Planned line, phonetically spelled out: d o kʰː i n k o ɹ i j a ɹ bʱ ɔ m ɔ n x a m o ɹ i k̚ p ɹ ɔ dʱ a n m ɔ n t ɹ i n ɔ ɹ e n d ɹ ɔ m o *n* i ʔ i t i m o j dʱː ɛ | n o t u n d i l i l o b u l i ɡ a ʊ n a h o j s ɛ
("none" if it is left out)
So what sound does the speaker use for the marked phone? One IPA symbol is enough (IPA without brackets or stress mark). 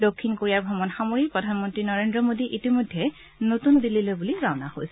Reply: d